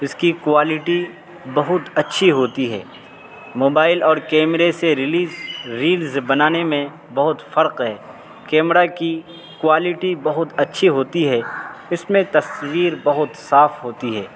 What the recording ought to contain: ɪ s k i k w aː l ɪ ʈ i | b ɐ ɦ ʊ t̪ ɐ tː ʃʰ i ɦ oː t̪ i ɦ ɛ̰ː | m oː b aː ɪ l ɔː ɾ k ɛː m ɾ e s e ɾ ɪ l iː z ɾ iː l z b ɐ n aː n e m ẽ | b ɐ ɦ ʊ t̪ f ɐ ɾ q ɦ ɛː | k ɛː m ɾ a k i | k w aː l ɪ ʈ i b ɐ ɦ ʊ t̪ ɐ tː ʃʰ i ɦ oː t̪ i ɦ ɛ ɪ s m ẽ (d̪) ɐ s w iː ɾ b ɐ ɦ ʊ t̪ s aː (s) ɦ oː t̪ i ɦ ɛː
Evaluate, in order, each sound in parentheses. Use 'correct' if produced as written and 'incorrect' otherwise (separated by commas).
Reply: incorrect, incorrect